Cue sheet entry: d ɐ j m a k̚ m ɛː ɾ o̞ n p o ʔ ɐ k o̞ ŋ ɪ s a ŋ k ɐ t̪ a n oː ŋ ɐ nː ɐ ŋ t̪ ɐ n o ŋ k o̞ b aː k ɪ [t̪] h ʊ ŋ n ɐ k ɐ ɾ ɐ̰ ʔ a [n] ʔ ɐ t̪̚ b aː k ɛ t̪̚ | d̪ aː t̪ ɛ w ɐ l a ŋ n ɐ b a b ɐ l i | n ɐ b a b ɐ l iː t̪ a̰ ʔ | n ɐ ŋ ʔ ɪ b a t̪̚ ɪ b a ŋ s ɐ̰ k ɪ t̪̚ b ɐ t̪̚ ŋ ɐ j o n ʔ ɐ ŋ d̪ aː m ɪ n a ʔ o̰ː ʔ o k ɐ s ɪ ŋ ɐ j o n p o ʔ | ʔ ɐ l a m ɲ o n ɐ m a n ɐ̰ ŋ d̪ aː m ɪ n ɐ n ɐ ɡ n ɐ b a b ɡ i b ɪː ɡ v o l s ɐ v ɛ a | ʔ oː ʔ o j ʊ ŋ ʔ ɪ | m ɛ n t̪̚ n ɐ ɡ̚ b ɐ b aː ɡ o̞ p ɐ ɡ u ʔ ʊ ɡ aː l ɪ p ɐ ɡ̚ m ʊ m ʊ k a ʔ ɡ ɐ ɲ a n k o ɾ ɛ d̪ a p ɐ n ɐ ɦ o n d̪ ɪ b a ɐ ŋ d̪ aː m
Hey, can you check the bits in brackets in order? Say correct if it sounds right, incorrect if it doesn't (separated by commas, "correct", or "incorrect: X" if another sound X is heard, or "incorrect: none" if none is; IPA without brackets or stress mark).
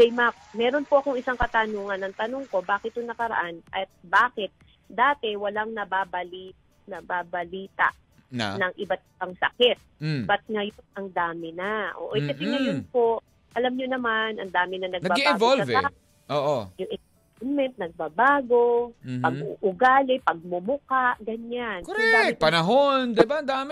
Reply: correct, correct